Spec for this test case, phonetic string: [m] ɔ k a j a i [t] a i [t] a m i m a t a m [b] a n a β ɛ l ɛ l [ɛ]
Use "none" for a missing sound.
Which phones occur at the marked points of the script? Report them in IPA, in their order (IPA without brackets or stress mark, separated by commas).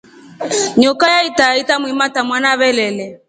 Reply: ɲ, t, t, w, ɛ